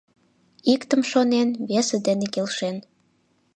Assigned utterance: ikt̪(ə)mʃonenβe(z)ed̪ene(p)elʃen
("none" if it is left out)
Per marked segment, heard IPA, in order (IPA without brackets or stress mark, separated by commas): ə, s, k